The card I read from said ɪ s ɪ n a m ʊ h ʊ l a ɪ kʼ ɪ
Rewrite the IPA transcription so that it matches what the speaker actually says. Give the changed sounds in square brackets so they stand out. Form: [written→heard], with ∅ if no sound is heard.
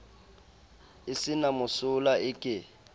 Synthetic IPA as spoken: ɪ s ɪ n a m ʊ [h→s] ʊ l a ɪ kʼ ɪ